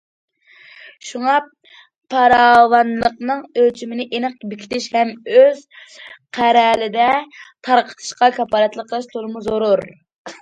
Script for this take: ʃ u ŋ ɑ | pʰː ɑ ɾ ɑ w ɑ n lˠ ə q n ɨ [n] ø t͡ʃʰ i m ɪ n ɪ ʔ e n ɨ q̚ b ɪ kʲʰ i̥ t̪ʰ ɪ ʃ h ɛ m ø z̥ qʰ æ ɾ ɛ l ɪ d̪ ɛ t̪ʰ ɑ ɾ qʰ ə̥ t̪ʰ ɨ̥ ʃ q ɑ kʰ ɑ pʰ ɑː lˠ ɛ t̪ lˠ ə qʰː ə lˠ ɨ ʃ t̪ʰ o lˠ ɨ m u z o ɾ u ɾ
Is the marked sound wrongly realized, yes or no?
yes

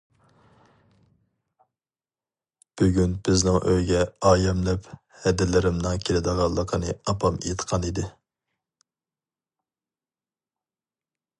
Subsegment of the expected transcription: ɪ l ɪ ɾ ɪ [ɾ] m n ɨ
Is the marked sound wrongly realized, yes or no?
yes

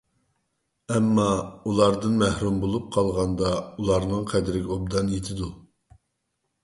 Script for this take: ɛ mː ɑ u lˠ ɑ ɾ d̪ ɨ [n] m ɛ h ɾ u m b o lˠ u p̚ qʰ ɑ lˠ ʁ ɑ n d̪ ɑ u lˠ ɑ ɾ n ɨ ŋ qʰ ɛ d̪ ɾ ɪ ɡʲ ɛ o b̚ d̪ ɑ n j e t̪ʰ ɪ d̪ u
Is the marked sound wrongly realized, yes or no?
no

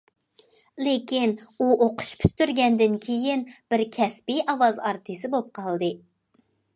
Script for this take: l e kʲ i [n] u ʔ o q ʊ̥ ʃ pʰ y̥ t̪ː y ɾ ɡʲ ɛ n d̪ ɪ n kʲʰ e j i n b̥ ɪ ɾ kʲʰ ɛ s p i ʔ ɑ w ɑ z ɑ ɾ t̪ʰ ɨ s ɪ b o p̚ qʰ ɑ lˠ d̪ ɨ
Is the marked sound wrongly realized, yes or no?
no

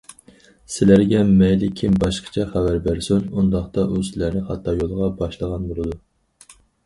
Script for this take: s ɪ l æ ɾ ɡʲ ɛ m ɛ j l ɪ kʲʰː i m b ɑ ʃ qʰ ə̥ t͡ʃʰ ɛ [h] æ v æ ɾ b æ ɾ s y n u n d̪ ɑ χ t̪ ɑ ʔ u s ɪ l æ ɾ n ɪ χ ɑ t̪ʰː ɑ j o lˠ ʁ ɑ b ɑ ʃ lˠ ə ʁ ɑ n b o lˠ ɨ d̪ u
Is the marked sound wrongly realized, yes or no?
yes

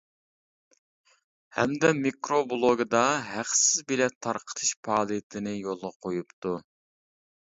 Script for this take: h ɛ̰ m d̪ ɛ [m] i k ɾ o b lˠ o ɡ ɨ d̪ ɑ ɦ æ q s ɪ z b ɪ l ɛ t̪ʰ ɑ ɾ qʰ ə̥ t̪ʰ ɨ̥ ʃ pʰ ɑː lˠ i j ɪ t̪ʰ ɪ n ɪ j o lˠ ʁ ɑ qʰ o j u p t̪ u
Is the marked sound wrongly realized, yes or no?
no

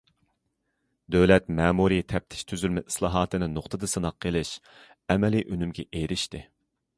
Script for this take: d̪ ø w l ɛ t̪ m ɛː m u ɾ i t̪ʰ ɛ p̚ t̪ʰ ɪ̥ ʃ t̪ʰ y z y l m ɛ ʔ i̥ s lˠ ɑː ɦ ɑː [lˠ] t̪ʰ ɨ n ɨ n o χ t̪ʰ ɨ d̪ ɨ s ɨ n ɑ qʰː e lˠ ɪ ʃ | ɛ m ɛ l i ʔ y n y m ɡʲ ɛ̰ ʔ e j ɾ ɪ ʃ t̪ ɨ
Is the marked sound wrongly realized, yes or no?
yes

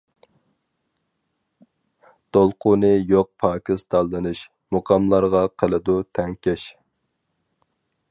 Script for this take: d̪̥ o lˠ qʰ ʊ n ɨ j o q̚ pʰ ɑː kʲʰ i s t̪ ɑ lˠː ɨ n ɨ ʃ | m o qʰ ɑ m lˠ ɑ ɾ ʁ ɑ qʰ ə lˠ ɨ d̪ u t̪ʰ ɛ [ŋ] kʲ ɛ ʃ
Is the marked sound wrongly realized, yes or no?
no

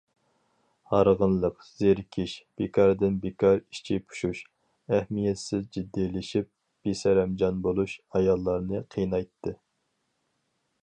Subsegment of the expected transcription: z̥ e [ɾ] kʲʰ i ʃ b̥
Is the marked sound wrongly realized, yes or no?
no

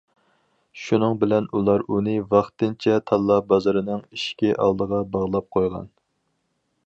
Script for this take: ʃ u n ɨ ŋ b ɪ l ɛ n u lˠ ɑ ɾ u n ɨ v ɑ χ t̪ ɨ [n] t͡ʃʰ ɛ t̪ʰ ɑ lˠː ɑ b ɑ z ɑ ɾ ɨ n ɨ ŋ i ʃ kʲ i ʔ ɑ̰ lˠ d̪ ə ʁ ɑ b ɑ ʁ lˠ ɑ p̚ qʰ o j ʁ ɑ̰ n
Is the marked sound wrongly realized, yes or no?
no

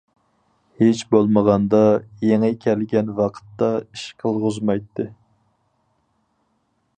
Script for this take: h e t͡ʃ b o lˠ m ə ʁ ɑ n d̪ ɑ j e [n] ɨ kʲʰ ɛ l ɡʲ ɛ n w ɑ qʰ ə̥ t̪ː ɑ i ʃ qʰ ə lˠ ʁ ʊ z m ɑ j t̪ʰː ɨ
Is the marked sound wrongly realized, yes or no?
yes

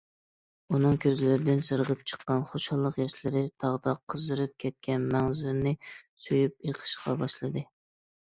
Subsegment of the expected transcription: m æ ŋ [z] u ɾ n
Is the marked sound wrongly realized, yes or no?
no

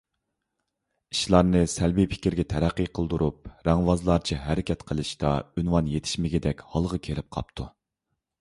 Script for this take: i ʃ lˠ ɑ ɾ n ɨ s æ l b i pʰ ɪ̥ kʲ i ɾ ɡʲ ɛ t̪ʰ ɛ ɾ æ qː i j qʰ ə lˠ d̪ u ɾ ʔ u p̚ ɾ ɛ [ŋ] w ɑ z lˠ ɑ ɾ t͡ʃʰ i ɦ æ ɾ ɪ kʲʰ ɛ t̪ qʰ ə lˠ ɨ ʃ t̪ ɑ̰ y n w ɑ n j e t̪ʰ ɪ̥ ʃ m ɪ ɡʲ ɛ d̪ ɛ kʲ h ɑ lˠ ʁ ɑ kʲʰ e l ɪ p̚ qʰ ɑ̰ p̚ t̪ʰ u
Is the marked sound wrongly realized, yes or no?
no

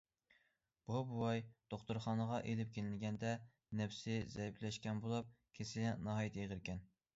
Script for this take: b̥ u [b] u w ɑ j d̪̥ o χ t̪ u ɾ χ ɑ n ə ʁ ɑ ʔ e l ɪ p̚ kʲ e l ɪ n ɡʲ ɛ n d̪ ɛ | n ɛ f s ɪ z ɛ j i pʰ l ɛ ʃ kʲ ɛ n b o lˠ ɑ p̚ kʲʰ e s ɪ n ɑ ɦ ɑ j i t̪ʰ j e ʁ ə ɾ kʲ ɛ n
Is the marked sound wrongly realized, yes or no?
no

